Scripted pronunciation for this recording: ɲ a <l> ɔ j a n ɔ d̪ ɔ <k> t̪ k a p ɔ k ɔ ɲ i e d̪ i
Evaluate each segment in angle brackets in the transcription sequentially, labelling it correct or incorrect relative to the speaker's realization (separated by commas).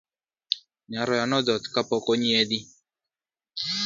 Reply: incorrect, incorrect